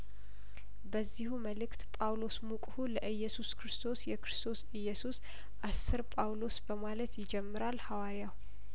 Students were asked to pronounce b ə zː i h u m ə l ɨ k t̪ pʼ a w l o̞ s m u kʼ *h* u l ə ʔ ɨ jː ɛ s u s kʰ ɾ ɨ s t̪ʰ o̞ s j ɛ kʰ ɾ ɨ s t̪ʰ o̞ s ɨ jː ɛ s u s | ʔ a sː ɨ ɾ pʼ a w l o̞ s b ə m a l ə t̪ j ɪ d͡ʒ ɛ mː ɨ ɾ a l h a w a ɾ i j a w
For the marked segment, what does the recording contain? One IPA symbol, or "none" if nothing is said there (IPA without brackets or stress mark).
h